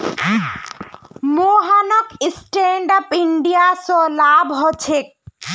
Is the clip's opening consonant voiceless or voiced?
voiced